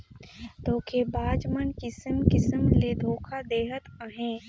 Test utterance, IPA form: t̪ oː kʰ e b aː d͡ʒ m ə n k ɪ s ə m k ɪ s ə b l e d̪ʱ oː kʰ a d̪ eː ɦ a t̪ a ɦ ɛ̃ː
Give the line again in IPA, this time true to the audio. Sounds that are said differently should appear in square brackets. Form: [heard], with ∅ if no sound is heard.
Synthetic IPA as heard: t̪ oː kʰ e b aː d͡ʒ m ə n k ɪ s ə m k ɪ s ə [m] l e d̪ʱ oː kʰ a d̪ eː ɦ [ə] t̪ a ɦ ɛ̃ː